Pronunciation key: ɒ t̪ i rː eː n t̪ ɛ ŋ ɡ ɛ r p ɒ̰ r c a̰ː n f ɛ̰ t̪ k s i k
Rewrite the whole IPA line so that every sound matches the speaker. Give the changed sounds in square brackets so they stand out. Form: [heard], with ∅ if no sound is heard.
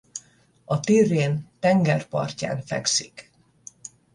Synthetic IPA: ɒ t̪ i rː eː n t̪ ɛ ŋ ɡ ɛ r p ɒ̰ r c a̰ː n f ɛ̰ [∅] k s i k